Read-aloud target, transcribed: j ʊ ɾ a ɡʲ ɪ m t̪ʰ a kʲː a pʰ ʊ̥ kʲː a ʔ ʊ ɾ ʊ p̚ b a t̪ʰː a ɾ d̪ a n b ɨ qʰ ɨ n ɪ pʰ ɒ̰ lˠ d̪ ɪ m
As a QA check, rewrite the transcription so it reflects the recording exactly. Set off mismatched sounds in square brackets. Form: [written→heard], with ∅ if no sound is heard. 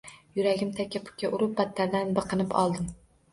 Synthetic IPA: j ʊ ɾ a ɡʲ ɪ m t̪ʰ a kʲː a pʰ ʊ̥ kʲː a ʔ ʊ ɾ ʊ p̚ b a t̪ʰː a ɾ d̪ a n b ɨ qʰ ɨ n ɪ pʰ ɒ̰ lˠ d̪ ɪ m